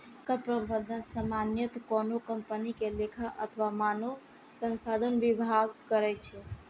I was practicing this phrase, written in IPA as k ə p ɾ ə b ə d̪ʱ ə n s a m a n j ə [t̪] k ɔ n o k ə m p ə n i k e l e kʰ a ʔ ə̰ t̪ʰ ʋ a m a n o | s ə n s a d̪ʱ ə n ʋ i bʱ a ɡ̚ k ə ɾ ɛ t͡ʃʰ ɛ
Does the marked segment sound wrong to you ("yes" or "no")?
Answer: no